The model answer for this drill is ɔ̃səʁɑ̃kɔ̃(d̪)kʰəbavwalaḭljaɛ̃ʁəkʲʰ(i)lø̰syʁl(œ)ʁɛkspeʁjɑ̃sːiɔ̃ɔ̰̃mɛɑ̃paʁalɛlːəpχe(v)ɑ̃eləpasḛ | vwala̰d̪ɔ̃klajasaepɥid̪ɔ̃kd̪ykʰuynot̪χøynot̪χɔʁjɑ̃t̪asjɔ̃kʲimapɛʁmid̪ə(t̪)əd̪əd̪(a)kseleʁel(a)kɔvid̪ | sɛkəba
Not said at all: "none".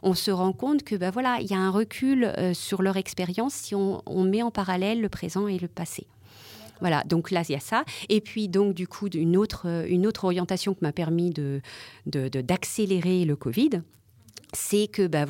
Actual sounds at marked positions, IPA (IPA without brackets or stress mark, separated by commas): t̪, y, œ, z, d̪, a, ə